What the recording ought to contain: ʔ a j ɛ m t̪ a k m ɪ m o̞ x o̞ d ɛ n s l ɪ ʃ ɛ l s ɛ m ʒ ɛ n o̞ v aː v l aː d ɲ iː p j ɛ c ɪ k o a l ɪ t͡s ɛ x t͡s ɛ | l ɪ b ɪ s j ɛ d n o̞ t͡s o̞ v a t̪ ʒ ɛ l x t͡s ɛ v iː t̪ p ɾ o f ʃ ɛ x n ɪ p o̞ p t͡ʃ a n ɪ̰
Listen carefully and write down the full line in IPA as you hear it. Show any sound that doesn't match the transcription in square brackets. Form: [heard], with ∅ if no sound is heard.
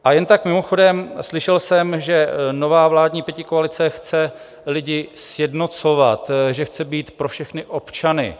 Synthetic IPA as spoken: ʔ a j ɛ [n] t̪ a k m ɪ m o̞ x o̞ d ɛ [m] s l ɪ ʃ ɛ l s ɛ m ʒ ɛ n o̞ v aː v l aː d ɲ iː p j ɛ c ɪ k o a l ɪ t͡s ɛ x t͡s ɛ | l ɪ [ɟ] ɪ s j ɛ d n o̞ t͡s o̞ v a t̪ ʒ ɛ [∅] x t͡s ɛ [b] iː t̪ p ɾ o f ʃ ɛ x n ɪ [ʔ] o̞ p t͡ʃ a n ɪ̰